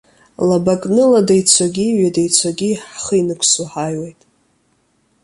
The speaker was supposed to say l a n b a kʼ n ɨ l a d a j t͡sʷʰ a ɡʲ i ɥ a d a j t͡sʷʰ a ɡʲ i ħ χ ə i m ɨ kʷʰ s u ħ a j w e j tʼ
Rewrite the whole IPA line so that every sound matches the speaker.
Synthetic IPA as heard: l a b a kʼ n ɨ l a d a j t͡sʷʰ a ɡʲ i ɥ a d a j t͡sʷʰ a ɡʲ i ħ χ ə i n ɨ kʷʰ s u ħ a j w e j tʼ